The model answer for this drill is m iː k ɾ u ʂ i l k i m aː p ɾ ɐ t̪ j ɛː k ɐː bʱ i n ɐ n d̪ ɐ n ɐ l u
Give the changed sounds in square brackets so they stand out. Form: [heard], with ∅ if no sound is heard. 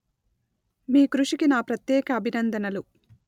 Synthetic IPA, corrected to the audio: m iː k ɾ u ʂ i [∅] k i [n] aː p ɾ ɐ t̪ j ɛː k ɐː bʱ i n ɐ n d̪ ɐ n ɐ l u